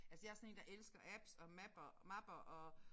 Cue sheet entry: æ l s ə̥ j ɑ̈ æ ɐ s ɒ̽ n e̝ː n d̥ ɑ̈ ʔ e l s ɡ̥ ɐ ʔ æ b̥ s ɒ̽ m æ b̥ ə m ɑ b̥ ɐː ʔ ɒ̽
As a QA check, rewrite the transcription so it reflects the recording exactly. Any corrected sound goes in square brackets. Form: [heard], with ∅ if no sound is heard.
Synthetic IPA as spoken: æ l s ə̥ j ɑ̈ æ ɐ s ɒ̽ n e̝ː n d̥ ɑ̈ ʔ e l s ɡ̥ ɐ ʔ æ b̥ s ɒ̽ m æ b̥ [ɐ] m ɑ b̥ [ɐ] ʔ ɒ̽